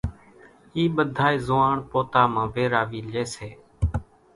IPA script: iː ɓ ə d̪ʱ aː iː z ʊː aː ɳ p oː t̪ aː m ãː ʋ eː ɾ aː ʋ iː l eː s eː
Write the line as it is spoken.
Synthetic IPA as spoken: iː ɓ ə d̪ʱ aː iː z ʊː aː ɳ p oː t̪ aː m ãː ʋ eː ɾ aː ʋ iː l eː s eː

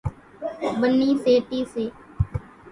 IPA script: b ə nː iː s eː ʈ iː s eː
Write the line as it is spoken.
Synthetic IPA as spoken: b ə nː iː s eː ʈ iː s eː

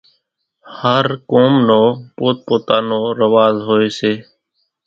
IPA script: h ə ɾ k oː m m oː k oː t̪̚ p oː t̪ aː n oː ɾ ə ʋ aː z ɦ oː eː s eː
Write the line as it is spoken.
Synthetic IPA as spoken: h ə ɾ k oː m n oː p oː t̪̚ p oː t̪ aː n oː ɾ ə ʋ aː z ɦ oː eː s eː

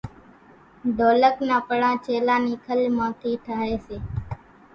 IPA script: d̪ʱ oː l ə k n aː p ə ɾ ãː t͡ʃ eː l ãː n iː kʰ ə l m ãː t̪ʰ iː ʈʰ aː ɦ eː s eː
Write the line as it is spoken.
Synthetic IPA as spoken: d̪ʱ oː l ə k n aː p ə ɽ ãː t͡ʃ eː l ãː n iː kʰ ə l m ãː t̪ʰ iː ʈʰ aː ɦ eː s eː

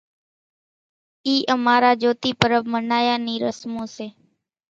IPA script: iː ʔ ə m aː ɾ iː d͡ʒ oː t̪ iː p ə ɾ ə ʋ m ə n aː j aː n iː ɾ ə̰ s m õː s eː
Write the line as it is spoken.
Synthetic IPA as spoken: iː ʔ ə m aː ɾ aː d͡ʒ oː t̪ iː p ə ɾ ə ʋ m ə n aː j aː n iː ɾ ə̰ s m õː s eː

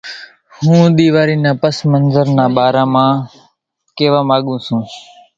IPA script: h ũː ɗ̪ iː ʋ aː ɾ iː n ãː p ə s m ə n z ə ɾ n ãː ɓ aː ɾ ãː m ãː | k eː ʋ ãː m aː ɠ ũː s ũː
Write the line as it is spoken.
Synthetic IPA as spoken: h ũː ɗ̪ iː ʋ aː ɾ iː n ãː p ə s m ə n z ə ɾ n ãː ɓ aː ɾ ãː m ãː | k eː ʋ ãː m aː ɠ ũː s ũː

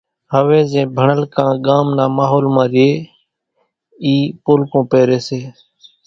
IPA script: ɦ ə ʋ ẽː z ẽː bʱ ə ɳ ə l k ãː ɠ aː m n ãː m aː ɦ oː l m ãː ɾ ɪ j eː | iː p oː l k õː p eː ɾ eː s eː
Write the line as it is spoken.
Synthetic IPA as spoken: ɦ ə ʋ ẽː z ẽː bʱ ə ɳ ə l k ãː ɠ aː m n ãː m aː ɦ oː l m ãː ɾ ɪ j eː | iː p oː l k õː p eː ɾ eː s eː

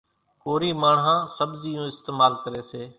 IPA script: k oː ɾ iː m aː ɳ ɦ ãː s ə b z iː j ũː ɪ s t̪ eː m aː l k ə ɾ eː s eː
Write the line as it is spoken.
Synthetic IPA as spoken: k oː ɾ iː m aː ɳ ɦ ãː s ə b z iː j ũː ɪ s t̪ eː m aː l k ə ɾ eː s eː

